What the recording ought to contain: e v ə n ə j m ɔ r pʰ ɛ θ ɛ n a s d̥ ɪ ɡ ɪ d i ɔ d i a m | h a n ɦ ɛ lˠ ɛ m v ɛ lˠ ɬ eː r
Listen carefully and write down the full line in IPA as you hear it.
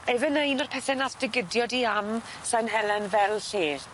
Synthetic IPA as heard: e v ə n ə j n ɔ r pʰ ɛ θ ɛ n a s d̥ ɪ ɡ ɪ d j ɔ d i a m | s a n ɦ ɛ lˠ ɛ n v ɛ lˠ ɬ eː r